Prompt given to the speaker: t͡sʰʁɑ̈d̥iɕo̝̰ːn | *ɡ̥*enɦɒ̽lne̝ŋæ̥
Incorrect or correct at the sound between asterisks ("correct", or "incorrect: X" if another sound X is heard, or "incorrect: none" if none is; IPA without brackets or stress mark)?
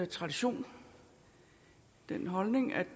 incorrect: d̥